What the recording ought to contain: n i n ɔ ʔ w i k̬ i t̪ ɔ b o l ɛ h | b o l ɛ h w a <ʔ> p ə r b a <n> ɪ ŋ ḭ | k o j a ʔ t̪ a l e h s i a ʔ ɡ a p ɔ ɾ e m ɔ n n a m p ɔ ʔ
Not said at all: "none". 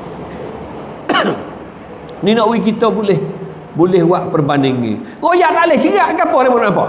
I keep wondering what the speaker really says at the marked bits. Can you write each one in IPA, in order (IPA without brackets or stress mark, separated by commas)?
ʔ, n